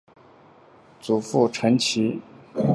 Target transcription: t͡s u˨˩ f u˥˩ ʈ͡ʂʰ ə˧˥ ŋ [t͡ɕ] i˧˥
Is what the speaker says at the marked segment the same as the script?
no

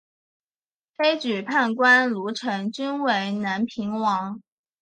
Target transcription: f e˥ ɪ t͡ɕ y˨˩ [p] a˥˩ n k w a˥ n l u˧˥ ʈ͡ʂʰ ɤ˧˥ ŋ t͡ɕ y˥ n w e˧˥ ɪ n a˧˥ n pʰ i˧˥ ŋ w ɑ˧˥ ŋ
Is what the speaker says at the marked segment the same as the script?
no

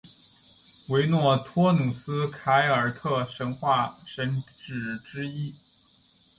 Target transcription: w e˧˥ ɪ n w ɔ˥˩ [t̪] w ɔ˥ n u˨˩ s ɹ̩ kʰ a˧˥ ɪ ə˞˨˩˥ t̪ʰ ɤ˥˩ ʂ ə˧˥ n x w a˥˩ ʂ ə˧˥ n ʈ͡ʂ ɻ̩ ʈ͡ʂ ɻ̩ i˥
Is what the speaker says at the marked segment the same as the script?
no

